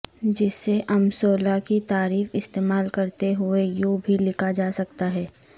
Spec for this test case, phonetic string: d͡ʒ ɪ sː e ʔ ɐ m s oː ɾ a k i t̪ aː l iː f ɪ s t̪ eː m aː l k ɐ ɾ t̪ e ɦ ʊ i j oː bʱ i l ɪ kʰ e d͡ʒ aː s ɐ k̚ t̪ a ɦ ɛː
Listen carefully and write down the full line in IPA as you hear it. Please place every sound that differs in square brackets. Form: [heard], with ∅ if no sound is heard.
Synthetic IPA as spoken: d͡ʒ ɪ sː e ʔ ɐ m s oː [l] a k i t̪ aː [ɾ] iː f ɪ s t̪ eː m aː l k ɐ ɾ t̪ e ɦ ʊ [e] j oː bʱ i l ɪ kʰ [a] d͡ʒ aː s ɐ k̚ t̪ a ɦ ɛː